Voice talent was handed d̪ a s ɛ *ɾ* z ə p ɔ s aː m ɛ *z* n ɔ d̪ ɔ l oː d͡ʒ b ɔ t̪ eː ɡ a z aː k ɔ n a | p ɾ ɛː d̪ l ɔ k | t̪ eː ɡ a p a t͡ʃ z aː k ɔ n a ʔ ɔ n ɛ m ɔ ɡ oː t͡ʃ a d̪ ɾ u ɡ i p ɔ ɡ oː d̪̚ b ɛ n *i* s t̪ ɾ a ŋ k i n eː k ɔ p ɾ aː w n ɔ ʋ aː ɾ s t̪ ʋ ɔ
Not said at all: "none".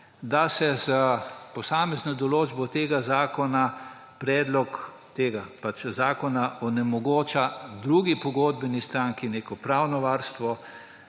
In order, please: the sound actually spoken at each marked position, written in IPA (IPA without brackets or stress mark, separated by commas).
none, z, i